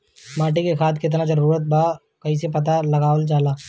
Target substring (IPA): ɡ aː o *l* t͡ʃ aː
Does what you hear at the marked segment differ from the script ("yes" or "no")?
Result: no